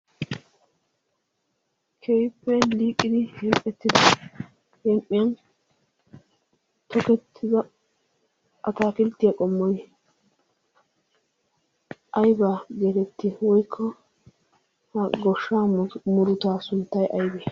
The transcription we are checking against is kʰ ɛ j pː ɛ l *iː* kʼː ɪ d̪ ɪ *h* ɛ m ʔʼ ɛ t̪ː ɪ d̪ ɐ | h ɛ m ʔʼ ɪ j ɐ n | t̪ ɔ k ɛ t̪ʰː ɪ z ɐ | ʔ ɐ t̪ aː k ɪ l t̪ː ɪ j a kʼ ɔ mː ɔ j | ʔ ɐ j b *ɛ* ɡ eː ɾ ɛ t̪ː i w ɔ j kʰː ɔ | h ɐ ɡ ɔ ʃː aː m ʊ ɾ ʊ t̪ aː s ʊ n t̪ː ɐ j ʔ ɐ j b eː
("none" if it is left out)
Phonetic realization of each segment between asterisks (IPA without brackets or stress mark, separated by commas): iː, h, a